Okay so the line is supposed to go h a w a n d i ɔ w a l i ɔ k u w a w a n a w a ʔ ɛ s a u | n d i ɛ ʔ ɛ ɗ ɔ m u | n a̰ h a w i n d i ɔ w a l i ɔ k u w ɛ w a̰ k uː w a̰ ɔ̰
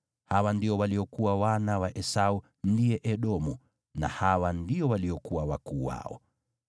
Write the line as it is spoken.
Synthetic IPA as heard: h a w a n d i ɔ w a l i ɔ k u w a w a n a w a ʔ ɛ s a u | n d i ɛ ʔ ɛ ɗ ɔ m u | n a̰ h a w a n d i ɔ w a l i ɔ k u w a w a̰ k uː w a̰ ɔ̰